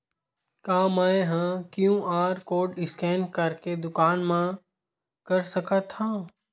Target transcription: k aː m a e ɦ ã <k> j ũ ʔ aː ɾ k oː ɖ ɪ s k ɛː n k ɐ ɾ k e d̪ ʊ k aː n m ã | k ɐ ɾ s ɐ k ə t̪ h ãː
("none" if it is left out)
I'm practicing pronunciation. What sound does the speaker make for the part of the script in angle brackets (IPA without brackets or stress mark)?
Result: k